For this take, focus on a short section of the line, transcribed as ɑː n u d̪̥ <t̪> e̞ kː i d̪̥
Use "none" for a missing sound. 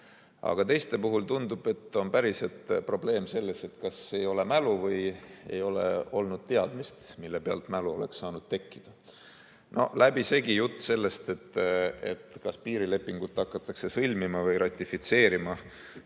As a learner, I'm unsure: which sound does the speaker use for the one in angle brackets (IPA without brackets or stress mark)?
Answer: t̪